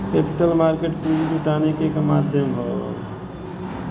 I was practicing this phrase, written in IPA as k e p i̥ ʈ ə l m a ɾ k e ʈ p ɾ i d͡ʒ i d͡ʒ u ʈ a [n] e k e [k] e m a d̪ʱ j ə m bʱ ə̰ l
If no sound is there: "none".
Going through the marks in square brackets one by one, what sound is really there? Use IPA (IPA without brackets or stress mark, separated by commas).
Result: n, k